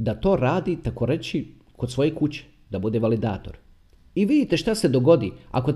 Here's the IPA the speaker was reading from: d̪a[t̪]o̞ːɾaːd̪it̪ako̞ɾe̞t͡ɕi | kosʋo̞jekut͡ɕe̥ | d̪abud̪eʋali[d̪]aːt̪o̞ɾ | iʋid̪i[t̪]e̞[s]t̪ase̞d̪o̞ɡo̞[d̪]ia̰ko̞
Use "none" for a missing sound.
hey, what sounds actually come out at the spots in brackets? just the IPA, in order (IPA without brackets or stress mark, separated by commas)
t̪, d̪, t̪, ʃ, d̪